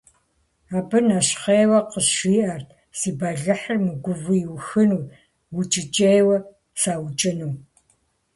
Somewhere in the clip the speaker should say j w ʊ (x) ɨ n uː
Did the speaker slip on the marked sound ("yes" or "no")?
no